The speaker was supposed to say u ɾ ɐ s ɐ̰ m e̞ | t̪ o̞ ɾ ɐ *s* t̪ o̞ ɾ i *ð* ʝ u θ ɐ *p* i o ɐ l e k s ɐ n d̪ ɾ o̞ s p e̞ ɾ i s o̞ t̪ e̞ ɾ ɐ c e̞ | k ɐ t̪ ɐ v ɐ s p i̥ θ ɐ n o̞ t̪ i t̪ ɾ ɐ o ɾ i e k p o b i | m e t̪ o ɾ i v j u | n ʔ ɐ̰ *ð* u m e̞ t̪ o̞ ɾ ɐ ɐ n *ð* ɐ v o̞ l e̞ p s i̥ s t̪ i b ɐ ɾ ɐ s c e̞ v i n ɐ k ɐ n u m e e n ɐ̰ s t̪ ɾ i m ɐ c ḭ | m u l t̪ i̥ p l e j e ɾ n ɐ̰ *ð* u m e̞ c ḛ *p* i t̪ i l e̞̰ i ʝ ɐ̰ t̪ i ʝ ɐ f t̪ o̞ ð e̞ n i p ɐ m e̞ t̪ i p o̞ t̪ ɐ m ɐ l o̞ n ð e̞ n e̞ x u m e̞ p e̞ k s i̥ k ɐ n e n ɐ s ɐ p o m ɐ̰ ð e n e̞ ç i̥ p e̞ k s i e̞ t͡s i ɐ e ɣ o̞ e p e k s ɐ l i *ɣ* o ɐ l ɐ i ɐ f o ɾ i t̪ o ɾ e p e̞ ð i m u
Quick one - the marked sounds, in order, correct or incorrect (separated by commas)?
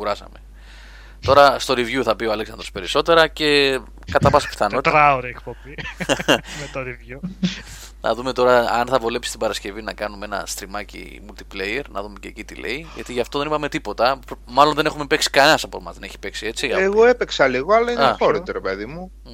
correct, incorrect, correct, correct, incorrect, correct, incorrect, correct